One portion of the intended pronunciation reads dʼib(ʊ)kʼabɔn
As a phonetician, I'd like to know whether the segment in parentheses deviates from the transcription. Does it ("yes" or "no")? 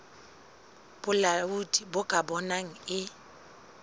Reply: no